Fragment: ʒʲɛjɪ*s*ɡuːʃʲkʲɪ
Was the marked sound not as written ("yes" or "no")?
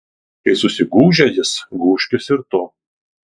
no